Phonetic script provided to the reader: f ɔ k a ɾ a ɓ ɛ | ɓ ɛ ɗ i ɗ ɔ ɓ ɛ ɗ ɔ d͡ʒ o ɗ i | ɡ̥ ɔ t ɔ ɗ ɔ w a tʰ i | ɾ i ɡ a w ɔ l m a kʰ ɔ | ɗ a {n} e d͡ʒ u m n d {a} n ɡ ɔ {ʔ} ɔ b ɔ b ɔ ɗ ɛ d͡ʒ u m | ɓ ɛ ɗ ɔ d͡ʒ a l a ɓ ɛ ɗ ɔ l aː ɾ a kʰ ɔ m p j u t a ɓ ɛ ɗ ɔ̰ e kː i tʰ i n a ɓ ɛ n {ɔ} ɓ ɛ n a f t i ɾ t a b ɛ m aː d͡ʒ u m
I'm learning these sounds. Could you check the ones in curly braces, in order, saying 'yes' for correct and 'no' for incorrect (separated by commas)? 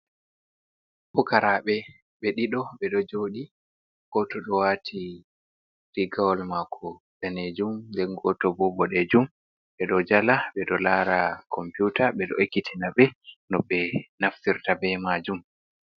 yes, no, no, yes